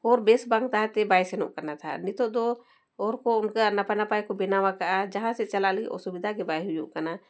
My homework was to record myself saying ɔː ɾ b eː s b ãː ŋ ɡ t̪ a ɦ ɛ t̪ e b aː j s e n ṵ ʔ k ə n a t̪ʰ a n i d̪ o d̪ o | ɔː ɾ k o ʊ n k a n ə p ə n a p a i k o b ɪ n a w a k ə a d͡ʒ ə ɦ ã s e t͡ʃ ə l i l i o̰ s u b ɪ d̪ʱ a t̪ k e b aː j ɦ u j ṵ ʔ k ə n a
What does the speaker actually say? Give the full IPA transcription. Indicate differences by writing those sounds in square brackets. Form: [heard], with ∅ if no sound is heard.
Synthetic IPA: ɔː ɾ b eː s b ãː ŋ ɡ t̪ a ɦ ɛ t̪ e b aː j s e n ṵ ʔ k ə n a t̪ʰ a n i [t̪] o d̪ o | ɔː ɾ k o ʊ n k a n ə p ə n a p a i k o b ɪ n a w a k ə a d͡ʒ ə ɦ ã s e t͡ʃ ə l [a] l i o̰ s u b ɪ d̪ʱ a [∅] k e b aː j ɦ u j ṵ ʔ k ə n a